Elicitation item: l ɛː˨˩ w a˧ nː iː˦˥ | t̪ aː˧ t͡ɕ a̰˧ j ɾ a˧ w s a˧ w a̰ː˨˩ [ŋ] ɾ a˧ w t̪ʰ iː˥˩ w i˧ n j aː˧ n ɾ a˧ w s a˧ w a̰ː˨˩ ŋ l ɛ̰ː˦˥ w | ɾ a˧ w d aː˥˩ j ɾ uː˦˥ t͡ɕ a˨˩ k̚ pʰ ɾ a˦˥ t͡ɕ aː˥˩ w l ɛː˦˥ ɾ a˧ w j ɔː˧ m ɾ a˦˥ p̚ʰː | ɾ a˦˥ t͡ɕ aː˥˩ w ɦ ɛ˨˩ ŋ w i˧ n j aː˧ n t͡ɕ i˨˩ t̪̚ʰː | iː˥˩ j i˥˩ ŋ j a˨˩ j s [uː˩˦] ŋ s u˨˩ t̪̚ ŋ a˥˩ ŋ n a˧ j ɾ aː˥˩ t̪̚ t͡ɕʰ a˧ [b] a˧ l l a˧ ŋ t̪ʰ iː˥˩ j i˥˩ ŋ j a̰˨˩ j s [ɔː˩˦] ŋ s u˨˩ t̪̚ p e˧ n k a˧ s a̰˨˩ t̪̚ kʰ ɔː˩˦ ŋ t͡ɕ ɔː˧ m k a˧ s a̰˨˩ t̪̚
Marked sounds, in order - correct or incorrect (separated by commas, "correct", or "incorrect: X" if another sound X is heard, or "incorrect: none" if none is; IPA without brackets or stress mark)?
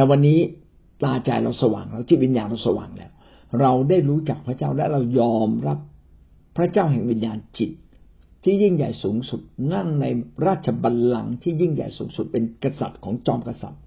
correct, correct, correct, incorrect: uː˩˦